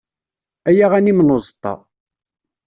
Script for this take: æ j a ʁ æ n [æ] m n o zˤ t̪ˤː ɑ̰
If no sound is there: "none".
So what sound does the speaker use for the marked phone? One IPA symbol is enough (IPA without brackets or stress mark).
i